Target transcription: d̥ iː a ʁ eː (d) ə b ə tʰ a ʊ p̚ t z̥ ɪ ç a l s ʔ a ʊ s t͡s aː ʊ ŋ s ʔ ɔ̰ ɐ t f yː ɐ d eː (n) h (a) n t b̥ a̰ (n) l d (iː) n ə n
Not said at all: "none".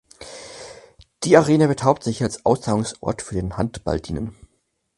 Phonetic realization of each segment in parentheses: n, n, a, none, iː

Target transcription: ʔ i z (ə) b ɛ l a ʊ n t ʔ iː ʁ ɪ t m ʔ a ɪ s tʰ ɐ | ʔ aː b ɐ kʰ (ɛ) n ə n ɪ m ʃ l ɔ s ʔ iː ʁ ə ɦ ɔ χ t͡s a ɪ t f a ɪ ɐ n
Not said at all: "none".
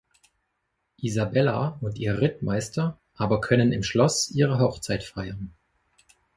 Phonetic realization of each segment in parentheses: a, œ

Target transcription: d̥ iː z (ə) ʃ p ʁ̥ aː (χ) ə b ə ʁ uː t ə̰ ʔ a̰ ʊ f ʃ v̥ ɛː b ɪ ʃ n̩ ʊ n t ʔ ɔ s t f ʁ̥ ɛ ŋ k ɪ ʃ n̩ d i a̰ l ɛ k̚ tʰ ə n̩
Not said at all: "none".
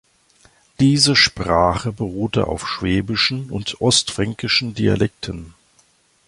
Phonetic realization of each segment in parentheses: ə, χ

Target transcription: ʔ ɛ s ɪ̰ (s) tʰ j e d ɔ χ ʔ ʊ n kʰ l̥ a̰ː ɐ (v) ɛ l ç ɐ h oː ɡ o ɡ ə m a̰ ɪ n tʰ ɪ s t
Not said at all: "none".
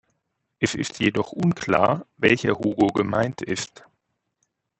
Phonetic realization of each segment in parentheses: s, v

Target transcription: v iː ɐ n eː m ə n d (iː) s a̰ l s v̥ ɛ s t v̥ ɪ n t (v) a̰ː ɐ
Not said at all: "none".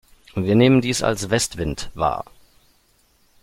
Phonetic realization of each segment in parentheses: iː, v

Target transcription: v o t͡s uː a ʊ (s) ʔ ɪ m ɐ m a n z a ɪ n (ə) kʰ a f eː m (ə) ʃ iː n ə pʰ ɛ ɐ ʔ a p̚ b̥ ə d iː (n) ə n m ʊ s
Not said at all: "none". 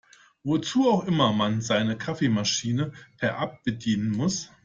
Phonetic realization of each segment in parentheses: x, ə, a, n

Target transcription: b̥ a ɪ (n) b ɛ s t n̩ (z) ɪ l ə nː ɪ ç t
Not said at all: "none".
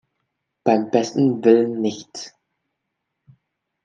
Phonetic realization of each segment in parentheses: m, v

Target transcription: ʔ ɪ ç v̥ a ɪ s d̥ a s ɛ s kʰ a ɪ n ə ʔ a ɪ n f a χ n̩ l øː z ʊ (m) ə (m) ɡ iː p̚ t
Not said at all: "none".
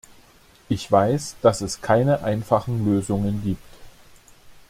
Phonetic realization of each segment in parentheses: ŋ, n

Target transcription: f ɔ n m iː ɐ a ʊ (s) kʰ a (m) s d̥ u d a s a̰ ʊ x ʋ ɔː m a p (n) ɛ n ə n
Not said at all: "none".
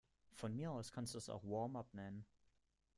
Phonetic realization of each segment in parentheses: s, n, n

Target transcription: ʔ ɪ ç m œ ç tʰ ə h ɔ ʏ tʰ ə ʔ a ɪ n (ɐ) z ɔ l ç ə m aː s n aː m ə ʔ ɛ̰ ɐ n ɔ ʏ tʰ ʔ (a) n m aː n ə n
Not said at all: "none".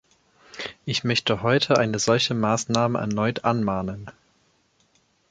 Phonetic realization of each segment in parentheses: ə, a

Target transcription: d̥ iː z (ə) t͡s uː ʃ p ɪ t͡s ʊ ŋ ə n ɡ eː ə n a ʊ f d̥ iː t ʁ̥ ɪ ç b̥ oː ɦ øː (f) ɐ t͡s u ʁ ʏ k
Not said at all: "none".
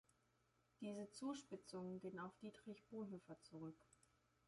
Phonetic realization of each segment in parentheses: ə, f

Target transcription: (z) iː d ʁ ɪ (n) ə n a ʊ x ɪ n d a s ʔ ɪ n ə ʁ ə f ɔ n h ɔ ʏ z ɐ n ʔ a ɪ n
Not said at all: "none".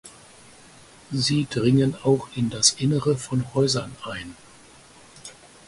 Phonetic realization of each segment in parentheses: z, ŋ

